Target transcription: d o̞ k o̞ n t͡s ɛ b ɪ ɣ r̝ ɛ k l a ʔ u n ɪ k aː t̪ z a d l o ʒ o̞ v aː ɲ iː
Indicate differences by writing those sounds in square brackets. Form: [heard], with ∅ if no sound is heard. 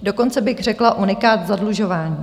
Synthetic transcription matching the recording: d o̞ k o̞ n t͡s ɛ b ɪ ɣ r̝ ɛ k l a ʔ u n ɪ k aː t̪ z a d l [u] ʒ o̞ v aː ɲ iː